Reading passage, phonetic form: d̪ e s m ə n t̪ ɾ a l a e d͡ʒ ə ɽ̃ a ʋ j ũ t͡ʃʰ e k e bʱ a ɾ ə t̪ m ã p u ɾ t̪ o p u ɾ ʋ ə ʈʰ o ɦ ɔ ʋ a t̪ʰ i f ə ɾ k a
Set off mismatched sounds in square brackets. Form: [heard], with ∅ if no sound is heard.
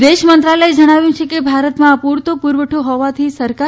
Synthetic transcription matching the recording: d̪ e [ʃ] m ə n t̪ ɾ a l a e d͡ʒ ə ɽ̃ a ʋ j ũ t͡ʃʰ e k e bʱ a ɾ ə t̪ m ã p u ɾ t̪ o p u ɾ ʋ ə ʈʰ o ɦ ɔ ʋ a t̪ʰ i [s] ə ɾ k a